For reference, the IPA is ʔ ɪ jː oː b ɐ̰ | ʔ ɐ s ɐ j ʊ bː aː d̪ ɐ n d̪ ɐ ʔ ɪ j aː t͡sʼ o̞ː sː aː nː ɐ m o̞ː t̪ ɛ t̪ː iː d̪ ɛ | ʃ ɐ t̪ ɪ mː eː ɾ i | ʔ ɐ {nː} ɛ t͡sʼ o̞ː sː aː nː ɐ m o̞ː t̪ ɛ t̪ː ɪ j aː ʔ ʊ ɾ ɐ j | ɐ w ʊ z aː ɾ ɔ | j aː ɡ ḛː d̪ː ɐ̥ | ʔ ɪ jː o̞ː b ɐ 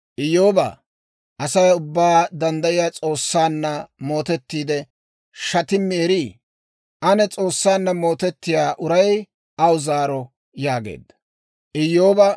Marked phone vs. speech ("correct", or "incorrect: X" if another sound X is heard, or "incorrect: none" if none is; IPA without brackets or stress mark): incorrect: n